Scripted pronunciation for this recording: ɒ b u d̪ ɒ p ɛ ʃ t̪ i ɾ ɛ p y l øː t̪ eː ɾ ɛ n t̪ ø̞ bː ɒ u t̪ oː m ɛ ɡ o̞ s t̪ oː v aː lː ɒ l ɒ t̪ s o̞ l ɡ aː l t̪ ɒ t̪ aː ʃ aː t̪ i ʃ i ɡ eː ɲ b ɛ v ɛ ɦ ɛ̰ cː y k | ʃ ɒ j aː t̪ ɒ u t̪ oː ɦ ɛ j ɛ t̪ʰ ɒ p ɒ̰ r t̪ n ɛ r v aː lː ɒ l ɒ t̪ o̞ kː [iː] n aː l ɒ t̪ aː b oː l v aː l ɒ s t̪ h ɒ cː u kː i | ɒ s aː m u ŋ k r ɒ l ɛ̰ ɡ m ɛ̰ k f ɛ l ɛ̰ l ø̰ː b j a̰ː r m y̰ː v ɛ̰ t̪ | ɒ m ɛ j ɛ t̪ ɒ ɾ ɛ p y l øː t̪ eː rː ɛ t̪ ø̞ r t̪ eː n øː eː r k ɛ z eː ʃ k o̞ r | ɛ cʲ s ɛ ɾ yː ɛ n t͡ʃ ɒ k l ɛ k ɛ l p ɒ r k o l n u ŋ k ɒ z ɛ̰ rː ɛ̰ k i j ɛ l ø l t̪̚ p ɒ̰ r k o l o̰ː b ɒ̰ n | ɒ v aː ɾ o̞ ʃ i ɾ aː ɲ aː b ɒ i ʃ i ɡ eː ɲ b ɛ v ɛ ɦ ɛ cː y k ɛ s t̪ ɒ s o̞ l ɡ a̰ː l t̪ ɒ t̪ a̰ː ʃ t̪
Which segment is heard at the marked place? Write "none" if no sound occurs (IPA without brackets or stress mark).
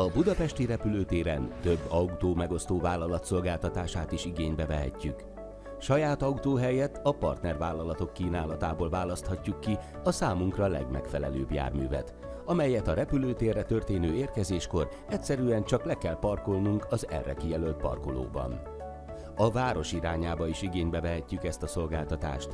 iː